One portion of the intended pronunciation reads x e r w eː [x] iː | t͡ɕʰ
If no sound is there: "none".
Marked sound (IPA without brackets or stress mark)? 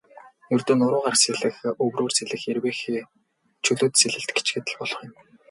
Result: x